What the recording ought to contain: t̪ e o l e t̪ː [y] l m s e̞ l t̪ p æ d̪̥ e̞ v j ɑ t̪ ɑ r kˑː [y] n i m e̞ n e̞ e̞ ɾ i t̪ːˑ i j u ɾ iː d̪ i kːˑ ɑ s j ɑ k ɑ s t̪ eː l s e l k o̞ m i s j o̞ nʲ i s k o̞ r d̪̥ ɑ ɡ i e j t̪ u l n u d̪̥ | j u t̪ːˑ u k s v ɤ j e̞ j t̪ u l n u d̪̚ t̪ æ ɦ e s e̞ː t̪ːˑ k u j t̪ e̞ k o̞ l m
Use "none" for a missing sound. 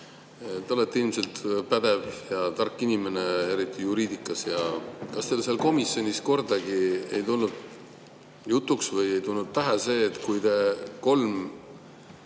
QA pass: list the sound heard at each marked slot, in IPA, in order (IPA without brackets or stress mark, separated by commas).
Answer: i, i